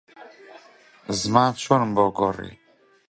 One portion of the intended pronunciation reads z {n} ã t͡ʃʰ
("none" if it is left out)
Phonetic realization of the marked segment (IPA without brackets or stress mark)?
m